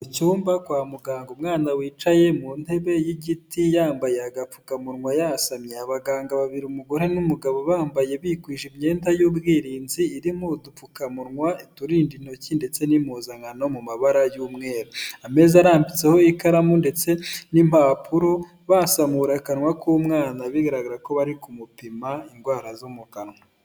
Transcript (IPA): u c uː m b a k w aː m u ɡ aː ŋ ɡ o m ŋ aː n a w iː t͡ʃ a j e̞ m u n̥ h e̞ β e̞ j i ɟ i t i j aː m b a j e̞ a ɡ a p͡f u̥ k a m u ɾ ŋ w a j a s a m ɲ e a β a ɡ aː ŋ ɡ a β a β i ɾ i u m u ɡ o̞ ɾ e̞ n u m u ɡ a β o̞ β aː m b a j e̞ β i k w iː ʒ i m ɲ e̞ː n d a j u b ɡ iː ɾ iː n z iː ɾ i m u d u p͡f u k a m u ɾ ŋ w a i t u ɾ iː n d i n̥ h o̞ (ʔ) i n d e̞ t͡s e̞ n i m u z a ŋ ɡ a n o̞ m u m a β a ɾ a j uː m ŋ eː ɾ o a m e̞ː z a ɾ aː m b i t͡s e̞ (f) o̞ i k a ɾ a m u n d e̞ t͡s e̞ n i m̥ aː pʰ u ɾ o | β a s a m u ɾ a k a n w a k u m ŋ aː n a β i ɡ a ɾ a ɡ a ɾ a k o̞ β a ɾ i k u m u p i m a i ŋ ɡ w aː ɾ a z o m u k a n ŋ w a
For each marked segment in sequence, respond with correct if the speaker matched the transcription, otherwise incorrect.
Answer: incorrect: c, incorrect: h

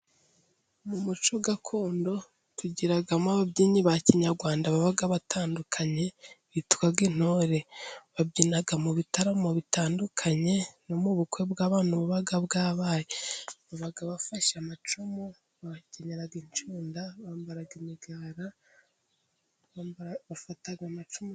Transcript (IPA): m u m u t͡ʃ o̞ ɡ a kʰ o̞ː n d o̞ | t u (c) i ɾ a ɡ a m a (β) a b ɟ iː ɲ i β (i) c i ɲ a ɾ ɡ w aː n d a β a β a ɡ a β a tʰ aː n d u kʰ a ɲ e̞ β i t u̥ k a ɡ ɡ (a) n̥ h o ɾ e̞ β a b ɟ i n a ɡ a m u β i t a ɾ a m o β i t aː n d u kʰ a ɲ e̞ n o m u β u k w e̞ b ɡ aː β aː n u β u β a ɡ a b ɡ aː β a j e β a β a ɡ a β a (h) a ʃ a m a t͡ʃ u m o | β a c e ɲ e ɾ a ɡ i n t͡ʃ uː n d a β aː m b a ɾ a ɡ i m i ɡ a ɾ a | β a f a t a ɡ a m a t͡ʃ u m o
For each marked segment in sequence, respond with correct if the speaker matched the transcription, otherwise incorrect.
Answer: incorrect: ɟ, correct, incorrect: a, incorrect: i, incorrect: f

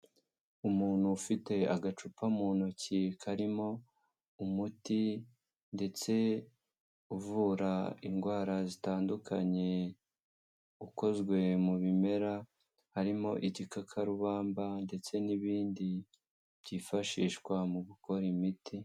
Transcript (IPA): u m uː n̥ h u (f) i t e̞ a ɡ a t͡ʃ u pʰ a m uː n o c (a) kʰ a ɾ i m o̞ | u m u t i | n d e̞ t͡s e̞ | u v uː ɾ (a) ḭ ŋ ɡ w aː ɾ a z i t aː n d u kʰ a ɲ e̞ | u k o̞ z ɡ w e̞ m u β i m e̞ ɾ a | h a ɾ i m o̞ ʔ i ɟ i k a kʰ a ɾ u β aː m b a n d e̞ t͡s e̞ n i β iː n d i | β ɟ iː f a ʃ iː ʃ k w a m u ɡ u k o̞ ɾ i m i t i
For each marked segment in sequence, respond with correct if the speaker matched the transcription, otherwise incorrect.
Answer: correct, incorrect: i, correct

